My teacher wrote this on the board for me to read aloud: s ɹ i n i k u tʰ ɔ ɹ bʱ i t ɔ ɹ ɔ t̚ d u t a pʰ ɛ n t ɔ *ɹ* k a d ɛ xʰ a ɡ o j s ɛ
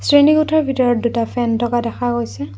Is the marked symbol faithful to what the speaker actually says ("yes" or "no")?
no